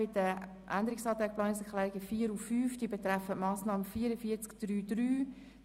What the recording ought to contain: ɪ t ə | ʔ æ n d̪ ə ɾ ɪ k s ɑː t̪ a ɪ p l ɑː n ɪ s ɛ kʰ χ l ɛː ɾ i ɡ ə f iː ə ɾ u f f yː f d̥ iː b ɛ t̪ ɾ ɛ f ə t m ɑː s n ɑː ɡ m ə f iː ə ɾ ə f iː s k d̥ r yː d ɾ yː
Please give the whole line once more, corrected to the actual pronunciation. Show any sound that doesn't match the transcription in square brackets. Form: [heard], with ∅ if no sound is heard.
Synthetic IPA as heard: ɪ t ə | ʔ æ n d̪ ə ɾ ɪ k s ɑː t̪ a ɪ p l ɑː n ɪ s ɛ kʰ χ l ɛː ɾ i ɡ ə f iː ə ɾ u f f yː f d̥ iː b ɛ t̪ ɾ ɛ f ə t m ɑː s n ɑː [∅] m ə f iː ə ɾ ə f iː [t͡s] k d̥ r yː d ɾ yː